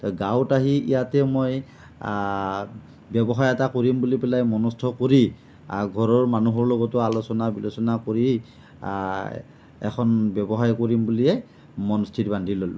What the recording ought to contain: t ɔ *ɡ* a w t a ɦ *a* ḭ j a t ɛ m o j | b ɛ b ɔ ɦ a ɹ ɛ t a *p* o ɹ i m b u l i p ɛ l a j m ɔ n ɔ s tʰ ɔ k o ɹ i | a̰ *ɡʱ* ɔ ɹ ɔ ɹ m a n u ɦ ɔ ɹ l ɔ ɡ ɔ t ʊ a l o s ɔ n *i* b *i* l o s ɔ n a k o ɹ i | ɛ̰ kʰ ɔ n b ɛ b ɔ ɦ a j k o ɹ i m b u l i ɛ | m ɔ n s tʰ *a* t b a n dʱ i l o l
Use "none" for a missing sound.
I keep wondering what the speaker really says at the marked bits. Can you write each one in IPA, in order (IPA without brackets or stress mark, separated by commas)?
ɡ, i, k, ɡʱ, a, i, i